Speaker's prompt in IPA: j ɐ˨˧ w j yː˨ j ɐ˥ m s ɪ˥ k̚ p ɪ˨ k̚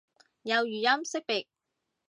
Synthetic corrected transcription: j ɐ˨˧ w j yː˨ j ɐ˥ m s ɪ˥ k̚ p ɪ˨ k̚